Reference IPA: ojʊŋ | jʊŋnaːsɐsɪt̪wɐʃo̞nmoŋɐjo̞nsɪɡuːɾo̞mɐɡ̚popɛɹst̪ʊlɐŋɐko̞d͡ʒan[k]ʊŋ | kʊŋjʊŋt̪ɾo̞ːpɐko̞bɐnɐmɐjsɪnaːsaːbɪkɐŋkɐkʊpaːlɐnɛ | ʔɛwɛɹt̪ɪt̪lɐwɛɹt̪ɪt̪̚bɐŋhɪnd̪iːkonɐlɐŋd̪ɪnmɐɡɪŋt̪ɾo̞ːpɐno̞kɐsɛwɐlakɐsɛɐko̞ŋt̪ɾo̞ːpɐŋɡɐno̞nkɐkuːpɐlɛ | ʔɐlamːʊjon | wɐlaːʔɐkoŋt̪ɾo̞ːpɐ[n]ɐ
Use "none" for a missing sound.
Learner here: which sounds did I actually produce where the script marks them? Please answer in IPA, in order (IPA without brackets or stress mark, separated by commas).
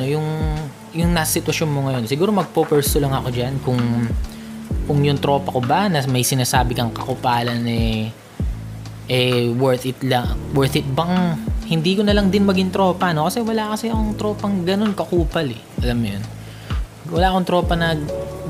k, n